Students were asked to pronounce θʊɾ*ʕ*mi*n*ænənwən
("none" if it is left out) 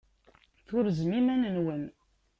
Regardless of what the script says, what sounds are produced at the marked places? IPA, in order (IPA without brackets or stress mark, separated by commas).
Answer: z, m